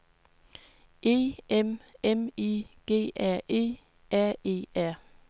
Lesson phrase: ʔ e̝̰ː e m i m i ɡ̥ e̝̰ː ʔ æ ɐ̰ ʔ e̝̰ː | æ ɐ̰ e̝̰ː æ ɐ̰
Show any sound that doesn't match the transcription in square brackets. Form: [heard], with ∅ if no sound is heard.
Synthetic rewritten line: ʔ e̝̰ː e m [e] m i ɡ̥ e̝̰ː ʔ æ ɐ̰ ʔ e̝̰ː | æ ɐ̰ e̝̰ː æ ɐ̰